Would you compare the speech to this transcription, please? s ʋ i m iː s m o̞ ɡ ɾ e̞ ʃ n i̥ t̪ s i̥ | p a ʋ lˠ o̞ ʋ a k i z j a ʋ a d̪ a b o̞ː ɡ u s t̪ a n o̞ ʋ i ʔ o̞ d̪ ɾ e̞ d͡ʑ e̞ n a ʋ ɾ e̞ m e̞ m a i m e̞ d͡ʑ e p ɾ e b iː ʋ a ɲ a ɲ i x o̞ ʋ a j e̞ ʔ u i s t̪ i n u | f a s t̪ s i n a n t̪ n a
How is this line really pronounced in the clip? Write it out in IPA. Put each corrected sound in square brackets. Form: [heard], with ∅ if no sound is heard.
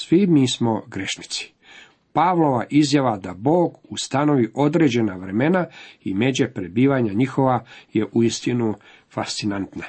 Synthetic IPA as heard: s ʋ i m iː s m o̞ ɡ ɾ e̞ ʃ n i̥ t̪ s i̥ | p a ʋ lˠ o̞ ʋ a [ʔ] i z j a ʋ a d̪ a b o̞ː ɡ u s t̪ a n o̞ ʋ i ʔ o̞ d̪ ɾ e̞ d͡ʑ e̞ n a ʋ ɾ e̞ m e̞ [n] a i m e̞ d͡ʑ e p ɾ e b iː ʋ a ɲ a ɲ i x o̞ ʋ a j e̞ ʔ u i s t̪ i n u | f a s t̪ s i n a n t̪ n a